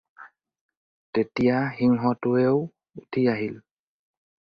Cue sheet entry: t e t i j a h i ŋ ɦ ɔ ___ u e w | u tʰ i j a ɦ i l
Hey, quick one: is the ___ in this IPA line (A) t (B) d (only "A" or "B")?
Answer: A